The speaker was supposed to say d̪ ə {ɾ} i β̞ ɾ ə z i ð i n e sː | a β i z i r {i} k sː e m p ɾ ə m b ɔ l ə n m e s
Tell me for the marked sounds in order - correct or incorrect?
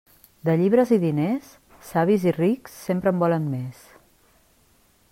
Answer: incorrect: ʎ, correct

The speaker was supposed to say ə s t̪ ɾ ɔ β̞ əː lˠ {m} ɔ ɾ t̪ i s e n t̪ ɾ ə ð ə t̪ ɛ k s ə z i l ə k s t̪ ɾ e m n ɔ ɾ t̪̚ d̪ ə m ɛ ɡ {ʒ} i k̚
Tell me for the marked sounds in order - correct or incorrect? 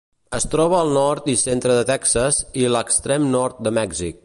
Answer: incorrect: n, incorrect: z

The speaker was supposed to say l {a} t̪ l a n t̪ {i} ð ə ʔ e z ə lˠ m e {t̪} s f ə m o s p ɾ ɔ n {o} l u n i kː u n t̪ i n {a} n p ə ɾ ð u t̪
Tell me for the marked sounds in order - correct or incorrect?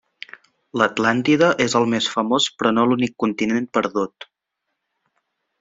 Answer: incorrect: ə, correct, incorrect: none, correct, incorrect: e

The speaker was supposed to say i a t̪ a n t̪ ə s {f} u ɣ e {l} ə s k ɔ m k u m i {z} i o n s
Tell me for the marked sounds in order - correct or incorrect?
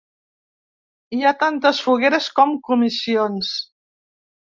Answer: correct, incorrect: ɾ, incorrect: s

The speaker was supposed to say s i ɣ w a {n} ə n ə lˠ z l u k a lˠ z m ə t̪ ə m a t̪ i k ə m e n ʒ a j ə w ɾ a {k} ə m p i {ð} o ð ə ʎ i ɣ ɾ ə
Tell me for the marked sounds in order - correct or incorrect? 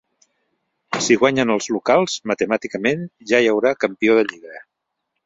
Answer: incorrect: ɲ, correct, incorrect: none

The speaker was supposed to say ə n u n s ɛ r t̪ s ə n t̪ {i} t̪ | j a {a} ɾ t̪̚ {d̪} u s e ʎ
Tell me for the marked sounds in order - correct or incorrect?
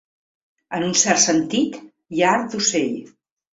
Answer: correct, correct, correct

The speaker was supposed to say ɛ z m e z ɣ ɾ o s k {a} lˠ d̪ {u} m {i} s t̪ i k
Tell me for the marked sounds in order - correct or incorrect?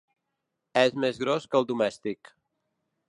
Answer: incorrect: ə, correct, incorrect: ɛ

